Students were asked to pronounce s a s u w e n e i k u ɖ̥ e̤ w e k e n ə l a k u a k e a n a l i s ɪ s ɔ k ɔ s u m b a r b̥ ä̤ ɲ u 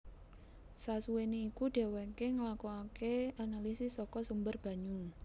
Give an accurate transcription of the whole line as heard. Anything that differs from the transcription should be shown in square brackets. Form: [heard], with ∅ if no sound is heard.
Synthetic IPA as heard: s a s u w e n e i k u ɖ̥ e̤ w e k e [ŋ] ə l a k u a k e a n a l i s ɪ s ɔ k ɔ s u m b [ə] r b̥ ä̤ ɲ u